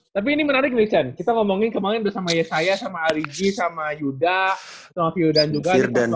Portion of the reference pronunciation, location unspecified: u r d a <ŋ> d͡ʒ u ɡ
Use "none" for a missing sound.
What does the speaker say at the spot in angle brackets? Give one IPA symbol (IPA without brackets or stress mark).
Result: n